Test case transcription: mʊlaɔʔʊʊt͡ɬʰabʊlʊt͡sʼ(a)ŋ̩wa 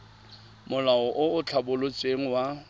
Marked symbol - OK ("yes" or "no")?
no